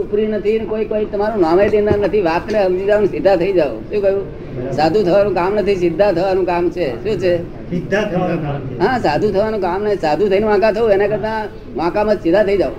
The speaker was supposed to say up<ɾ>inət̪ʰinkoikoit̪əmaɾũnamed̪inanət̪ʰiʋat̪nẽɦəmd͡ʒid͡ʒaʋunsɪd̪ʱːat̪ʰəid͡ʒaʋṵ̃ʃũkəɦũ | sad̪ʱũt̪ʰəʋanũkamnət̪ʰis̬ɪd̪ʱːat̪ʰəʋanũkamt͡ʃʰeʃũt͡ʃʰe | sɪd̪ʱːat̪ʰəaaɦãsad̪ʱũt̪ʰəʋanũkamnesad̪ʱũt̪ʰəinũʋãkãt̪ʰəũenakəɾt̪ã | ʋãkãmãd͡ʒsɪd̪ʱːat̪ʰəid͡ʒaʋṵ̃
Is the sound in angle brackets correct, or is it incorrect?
correct